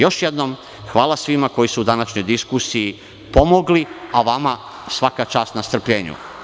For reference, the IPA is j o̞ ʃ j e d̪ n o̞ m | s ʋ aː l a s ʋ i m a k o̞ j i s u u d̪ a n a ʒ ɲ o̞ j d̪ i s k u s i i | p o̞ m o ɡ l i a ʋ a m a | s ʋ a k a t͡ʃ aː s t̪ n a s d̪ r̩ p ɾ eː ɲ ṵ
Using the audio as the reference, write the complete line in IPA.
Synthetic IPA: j o̞ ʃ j e d̪ n o̞ m | x ʋ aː l a s ʋ i m a k o̞ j i s u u d̪ a n a ʃ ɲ o̞ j d̪ i s k u s i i | p o̞ m o ɡ l i a ʋ a m a | s ʋ a k a t͡ʃ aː s t̪ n a s t̪ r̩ p ʎ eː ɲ ṵ